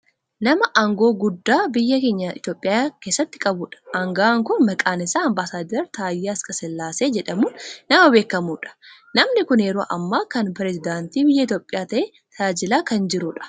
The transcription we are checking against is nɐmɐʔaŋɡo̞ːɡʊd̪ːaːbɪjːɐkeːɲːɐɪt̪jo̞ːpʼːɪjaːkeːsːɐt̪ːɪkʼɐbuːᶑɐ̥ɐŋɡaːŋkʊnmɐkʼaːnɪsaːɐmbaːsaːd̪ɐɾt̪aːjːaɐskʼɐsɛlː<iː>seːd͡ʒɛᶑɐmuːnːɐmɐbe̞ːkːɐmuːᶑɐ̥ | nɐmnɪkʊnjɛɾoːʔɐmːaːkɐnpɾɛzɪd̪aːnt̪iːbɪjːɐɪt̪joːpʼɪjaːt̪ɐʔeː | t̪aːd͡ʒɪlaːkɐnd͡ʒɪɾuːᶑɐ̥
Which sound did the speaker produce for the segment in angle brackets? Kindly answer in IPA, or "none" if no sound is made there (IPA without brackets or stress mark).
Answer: aː